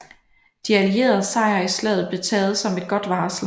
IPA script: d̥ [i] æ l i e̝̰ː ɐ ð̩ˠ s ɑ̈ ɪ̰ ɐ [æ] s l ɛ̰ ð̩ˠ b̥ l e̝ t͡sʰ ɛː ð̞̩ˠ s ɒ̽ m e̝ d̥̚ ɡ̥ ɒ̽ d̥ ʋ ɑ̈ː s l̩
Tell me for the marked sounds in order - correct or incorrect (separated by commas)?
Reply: correct, incorrect